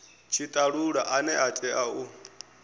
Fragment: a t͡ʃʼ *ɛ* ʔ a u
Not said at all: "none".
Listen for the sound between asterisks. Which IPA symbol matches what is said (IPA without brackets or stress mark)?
ɛ